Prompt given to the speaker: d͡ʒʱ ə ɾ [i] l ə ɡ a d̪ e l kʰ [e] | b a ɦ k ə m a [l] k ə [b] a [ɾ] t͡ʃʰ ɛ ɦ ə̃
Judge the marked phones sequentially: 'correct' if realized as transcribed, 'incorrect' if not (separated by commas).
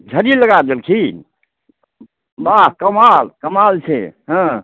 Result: correct, incorrect, correct, incorrect, incorrect